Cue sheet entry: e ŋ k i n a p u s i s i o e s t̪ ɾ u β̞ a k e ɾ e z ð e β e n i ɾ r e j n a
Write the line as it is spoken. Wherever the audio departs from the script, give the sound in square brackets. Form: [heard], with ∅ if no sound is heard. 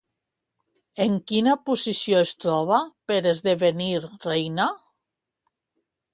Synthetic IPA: e ŋ k i n a p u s i s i o e s t̪ ɾ [ɔ] β̞ a [p] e ɾ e z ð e β e n i ɾ r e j n a